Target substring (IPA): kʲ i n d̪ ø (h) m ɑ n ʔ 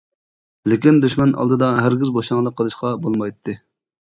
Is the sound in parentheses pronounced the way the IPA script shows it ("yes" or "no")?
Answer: no